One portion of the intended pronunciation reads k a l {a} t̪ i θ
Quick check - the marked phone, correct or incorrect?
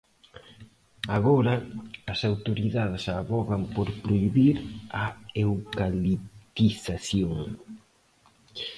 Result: incorrect